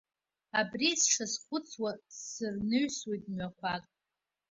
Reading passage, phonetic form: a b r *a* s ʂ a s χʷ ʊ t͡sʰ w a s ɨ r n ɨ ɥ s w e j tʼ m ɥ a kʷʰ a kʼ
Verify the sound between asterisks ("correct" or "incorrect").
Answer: incorrect